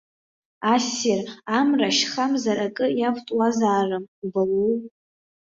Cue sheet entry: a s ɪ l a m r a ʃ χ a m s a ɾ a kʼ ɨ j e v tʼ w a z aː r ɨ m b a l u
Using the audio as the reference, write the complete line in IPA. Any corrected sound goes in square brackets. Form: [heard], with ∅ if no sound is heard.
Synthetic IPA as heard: a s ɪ [r] a m r a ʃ χ a m [z] a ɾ a kʼ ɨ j [a] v tʼ w a z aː r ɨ m b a l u